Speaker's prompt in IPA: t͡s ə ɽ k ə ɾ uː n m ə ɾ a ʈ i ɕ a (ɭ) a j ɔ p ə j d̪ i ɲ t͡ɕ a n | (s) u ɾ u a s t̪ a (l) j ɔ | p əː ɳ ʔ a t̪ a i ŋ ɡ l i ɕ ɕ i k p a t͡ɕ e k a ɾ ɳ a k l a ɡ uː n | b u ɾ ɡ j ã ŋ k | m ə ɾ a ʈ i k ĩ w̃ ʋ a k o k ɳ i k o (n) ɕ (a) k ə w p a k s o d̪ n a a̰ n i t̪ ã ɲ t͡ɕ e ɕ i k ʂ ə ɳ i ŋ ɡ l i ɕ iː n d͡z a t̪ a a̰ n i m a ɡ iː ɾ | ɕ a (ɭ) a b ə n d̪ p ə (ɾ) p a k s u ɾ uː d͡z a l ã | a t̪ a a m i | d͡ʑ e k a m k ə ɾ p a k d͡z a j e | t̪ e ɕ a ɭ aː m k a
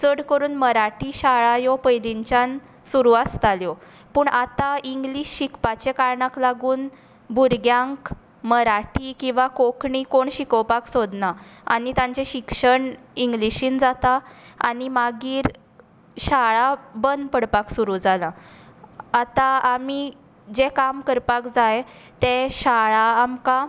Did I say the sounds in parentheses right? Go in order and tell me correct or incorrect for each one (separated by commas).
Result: correct, correct, correct, incorrect, incorrect, correct, incorrect